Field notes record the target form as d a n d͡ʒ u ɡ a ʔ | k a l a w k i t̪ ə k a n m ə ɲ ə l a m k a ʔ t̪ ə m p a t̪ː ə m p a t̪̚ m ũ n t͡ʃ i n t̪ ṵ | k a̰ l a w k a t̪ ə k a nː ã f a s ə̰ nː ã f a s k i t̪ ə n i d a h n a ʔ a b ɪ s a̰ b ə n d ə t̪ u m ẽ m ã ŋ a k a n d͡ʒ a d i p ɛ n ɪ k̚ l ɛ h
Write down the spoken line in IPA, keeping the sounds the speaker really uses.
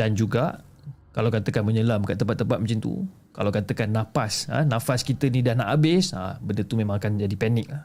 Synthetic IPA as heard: d a n d͡ʒ u ɡ a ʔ | k a l a w k a t̪ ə k a n m ə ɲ ə l a m k a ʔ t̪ ə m p a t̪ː ə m p a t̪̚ m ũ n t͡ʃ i n t̪ ṵ | k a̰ l a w k a t̪ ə k a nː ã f a s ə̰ n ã f a s k i t̪ ə n i d a h n a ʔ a b ɪ s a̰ b ə n d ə t̪ u m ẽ m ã ŋ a k a n d͡ʒ a d i p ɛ n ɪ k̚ l a h